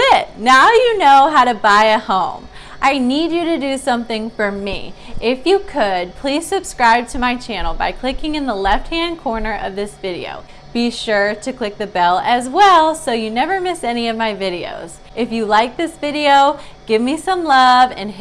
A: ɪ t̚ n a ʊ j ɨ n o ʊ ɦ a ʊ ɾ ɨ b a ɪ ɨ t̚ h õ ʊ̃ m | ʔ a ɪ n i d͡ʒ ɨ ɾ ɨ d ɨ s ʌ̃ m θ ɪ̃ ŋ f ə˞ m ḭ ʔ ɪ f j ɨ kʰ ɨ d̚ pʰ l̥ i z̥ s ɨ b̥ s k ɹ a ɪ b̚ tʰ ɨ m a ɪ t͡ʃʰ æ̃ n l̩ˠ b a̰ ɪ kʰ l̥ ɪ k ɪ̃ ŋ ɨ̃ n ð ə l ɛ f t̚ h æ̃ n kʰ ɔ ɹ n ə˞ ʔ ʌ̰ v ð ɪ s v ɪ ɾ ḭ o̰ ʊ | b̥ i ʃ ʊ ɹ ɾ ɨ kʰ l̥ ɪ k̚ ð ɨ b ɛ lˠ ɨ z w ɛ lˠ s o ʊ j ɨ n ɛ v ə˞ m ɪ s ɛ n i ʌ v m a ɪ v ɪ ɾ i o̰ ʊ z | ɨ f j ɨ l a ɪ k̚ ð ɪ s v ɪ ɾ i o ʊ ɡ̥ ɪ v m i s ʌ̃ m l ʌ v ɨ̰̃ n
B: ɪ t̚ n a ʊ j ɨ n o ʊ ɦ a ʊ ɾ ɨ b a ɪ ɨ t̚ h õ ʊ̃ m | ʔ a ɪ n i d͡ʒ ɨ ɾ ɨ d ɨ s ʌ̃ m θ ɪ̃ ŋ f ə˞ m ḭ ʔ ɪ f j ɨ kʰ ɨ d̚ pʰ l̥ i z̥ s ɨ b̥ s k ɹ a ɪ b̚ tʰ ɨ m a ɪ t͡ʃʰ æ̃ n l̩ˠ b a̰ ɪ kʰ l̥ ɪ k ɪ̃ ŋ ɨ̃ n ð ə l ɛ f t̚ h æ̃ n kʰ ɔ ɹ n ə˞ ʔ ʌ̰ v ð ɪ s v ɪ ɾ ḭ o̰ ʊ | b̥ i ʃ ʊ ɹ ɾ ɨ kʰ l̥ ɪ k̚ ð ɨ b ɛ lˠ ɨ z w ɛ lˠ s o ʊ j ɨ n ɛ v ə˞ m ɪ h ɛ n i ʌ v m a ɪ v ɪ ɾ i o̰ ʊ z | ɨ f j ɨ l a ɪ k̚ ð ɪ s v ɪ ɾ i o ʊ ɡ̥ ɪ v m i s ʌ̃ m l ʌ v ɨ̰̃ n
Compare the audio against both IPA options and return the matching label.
A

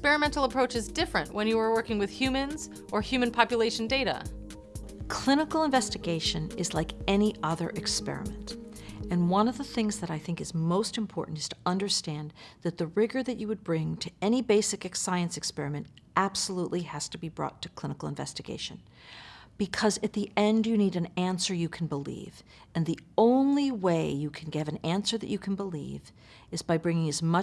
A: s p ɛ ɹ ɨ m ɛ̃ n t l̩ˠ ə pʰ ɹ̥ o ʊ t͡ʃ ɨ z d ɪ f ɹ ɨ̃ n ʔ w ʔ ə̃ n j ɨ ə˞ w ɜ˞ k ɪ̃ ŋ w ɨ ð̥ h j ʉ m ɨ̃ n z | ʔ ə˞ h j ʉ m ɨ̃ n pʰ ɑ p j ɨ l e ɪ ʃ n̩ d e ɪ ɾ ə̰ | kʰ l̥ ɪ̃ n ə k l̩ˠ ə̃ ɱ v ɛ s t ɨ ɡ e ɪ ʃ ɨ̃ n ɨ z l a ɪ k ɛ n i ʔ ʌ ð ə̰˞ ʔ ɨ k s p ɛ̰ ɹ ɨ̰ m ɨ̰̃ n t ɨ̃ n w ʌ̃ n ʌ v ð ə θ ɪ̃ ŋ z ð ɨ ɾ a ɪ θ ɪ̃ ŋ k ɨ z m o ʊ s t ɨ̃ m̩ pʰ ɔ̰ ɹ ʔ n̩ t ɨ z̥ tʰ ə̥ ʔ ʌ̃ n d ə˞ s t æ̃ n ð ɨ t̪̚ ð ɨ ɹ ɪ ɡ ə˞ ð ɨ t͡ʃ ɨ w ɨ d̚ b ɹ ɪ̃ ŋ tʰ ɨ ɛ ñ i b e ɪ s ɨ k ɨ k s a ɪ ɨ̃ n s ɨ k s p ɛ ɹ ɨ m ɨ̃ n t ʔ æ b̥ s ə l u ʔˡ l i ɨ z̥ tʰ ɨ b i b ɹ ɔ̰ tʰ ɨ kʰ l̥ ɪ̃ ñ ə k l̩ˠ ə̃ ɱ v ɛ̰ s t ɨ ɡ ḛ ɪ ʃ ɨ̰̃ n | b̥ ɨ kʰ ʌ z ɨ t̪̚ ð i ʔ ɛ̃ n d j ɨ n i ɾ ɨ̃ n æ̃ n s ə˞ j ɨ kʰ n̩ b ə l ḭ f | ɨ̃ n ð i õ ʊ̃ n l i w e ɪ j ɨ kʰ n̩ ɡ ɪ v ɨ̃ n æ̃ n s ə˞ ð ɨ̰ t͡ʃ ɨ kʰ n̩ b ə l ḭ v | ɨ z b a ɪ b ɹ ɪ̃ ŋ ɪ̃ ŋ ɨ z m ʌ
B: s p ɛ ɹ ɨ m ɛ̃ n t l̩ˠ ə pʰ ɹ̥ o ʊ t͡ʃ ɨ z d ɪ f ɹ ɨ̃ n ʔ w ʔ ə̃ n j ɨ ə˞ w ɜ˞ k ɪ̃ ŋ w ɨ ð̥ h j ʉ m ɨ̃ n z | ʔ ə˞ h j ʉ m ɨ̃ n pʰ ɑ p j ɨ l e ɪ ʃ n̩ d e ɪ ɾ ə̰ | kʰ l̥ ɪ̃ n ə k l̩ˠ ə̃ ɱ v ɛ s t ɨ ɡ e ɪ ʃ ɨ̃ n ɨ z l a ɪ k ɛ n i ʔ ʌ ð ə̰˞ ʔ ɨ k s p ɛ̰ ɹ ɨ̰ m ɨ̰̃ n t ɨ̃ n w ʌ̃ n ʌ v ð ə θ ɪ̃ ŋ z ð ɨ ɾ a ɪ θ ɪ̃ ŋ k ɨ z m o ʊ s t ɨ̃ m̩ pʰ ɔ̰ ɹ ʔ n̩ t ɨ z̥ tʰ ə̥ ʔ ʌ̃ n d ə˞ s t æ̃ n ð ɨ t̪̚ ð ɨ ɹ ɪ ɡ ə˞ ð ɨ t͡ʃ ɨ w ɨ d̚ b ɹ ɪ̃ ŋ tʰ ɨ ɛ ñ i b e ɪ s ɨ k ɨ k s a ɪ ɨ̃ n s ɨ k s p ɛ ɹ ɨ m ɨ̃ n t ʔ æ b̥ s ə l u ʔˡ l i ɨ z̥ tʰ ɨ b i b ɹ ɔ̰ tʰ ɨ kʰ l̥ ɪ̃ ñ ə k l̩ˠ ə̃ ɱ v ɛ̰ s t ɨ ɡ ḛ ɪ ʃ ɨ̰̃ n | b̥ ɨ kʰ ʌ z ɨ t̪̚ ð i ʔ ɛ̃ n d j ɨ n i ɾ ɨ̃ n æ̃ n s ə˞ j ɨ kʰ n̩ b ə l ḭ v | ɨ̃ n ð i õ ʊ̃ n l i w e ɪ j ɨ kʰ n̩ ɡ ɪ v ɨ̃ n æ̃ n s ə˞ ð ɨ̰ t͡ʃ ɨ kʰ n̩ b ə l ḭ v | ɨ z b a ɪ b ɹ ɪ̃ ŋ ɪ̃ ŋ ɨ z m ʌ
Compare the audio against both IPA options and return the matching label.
B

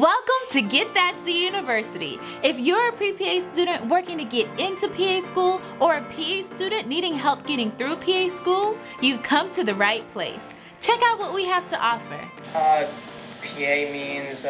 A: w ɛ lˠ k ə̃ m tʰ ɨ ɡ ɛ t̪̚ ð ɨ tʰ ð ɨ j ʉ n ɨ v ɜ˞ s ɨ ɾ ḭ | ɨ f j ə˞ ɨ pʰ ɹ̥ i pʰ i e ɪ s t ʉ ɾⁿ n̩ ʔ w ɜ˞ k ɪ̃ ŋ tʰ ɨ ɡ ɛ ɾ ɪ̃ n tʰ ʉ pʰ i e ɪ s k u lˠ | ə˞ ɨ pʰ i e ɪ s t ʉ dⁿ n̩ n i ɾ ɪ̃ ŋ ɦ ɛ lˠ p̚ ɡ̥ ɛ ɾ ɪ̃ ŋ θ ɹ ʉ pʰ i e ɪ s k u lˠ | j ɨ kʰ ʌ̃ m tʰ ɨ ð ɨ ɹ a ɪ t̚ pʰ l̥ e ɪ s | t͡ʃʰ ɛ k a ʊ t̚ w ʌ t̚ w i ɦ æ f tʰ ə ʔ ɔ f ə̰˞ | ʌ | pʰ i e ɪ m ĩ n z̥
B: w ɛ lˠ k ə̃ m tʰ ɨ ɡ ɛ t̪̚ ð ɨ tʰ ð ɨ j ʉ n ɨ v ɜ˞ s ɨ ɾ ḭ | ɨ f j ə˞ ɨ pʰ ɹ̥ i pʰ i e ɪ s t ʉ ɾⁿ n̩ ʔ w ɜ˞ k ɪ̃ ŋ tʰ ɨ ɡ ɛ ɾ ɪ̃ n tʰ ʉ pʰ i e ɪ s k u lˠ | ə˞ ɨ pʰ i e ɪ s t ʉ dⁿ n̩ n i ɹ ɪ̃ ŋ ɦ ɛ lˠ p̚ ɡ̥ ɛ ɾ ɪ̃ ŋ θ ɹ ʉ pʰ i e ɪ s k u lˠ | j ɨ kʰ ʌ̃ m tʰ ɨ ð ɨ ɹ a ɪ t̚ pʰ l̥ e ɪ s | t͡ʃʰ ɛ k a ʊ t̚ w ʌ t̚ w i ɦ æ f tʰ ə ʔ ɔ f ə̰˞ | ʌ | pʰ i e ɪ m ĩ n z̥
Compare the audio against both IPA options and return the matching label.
A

